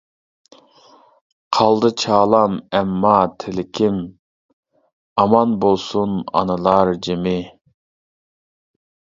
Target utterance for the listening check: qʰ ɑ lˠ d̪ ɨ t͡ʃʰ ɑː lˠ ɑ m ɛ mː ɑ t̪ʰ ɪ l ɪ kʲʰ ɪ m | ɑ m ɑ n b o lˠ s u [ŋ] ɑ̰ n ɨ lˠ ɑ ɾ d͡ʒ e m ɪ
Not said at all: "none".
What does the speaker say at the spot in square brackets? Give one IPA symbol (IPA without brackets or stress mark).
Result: n